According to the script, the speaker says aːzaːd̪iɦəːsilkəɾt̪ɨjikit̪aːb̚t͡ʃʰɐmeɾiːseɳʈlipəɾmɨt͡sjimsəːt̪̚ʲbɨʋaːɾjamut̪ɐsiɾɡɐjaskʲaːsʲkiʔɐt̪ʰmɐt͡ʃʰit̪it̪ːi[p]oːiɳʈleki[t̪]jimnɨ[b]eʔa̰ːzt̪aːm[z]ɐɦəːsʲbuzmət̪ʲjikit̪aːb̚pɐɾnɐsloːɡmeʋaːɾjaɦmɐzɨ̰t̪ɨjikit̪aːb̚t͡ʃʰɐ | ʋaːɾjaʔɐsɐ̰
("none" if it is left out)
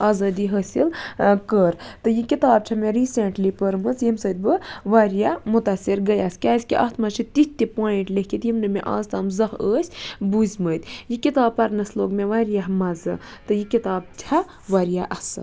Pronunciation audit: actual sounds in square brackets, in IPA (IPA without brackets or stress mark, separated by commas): p, t̪, m, z